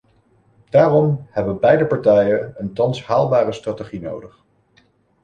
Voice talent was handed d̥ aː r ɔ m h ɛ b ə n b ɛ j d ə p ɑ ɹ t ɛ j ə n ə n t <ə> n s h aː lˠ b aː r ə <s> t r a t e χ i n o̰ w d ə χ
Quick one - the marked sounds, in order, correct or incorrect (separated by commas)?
incorrect, correct